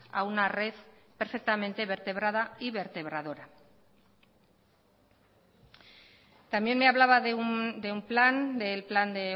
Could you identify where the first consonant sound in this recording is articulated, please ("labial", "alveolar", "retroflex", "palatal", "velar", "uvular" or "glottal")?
alveolar